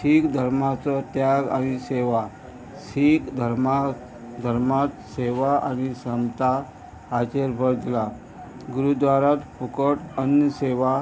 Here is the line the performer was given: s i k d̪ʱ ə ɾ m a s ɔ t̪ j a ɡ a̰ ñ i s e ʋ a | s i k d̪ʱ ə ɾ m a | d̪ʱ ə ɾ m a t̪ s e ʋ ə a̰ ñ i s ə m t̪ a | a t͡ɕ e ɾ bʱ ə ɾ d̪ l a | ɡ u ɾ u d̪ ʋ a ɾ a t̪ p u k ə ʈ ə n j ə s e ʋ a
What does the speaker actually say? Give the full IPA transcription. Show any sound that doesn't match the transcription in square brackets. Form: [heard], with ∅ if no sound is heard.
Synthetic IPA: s i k d̪ʱ ə ɾ m a [t͡s] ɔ t̪ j a ɡ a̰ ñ i s e ʋ a | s i k d̪ʱ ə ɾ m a | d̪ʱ ə ɾ m a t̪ s e ʋ [a] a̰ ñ i s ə m t̪ a | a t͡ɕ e ɾ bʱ ə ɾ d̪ l a | ɡ u ɾ u d̪ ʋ a ɾ a t̪ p u k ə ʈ ə n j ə s e ʋ a